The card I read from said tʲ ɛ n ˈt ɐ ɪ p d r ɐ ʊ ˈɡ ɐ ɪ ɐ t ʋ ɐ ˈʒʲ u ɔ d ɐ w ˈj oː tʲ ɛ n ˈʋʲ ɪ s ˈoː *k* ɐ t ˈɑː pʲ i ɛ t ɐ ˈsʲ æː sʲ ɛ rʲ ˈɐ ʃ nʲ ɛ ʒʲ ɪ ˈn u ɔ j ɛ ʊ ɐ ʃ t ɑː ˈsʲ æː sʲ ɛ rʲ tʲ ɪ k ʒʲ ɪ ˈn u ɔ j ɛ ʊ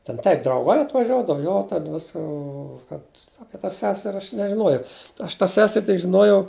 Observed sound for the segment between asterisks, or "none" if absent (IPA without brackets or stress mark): k